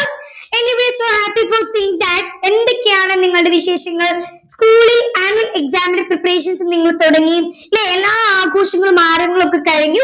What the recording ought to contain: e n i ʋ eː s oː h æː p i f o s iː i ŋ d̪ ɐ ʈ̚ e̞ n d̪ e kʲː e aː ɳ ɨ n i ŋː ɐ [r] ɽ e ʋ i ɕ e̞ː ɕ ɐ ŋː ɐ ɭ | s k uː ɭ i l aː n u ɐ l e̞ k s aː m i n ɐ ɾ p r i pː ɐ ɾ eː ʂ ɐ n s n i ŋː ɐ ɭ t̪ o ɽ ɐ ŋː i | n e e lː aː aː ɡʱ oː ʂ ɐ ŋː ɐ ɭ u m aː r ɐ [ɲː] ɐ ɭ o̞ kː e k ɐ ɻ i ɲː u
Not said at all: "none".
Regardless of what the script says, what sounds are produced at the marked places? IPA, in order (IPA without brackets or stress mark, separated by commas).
ɭ, ŋː